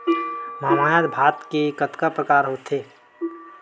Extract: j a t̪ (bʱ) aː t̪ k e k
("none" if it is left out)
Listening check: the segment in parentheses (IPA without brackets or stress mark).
bʱ